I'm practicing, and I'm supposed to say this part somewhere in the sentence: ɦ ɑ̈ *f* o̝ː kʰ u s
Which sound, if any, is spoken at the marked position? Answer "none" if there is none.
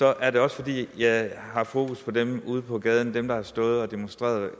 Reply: f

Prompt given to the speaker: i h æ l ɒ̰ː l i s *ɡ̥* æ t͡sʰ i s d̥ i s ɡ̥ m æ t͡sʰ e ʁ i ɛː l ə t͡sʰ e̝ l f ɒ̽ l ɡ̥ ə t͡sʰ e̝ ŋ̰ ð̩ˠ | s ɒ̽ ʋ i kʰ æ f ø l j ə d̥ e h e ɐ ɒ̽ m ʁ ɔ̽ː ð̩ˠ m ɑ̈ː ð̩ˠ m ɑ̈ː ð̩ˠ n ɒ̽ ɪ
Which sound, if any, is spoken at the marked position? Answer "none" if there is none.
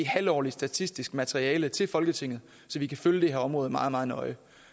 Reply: d̥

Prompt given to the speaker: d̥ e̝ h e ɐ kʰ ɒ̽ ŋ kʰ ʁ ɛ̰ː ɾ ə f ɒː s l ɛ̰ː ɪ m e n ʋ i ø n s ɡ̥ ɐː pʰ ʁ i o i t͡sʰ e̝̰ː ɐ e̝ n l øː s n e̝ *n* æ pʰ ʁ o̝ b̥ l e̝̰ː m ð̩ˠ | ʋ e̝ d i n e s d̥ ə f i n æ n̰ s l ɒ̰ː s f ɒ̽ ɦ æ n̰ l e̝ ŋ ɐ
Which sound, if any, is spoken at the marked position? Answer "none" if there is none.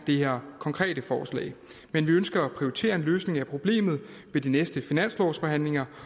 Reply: ŋ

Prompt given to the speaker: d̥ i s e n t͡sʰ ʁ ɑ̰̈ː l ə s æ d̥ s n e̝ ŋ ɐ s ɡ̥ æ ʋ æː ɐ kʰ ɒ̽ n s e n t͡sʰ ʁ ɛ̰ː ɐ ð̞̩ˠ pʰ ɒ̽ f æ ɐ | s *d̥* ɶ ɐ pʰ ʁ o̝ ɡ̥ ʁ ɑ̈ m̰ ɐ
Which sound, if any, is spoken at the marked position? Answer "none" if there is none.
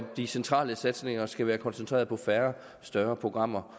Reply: d̥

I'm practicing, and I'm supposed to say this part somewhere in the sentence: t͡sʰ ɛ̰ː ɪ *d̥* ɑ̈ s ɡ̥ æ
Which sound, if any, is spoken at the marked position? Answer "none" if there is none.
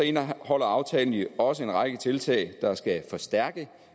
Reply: d̥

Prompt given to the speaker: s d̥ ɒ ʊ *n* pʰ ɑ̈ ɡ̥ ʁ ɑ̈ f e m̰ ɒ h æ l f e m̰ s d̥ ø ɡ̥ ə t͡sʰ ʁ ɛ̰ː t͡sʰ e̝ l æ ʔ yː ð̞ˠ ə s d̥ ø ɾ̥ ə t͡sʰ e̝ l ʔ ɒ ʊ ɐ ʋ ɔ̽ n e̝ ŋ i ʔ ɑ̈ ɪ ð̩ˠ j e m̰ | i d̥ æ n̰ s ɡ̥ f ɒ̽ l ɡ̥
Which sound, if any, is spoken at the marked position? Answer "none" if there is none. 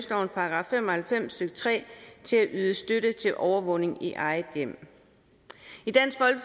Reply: n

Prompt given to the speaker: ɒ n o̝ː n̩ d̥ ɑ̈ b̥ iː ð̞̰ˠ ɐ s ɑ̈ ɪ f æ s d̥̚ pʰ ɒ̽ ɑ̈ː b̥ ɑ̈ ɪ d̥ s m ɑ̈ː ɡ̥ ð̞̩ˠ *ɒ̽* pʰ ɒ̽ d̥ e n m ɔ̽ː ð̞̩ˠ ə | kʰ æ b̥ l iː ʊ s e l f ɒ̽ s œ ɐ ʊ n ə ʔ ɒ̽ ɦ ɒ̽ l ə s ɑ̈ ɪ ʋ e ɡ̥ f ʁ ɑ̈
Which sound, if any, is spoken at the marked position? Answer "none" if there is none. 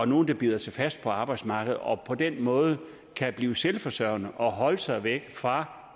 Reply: ɒ̽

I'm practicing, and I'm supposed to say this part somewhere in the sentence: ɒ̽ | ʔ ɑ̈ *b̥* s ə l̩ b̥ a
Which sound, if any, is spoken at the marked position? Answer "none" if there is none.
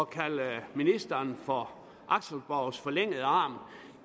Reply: ɡ̥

